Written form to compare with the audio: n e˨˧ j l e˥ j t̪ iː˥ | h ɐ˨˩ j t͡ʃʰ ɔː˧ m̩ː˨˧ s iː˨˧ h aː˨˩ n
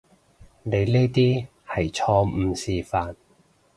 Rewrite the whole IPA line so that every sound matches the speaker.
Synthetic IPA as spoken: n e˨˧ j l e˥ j t̪ iː˥ | h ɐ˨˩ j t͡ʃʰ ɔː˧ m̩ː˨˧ s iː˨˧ f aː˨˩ n